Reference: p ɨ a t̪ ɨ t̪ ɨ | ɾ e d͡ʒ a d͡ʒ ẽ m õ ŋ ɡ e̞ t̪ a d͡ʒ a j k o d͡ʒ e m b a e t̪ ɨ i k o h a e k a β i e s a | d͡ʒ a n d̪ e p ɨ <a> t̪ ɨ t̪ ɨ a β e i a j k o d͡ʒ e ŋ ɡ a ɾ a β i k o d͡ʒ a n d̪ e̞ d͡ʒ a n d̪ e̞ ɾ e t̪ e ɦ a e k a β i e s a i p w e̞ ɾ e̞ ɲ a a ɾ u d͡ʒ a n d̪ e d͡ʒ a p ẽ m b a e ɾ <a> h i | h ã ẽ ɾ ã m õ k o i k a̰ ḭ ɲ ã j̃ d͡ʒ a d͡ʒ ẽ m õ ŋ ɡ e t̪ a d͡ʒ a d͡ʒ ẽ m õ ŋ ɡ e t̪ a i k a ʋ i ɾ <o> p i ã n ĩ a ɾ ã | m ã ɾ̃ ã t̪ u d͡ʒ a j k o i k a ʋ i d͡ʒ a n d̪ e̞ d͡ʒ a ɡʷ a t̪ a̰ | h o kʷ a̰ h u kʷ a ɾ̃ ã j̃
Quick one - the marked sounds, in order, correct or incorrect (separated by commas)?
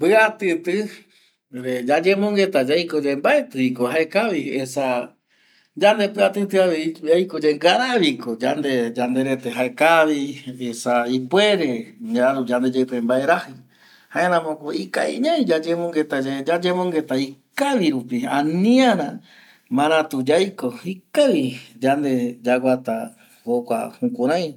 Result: correct, correct, incorrect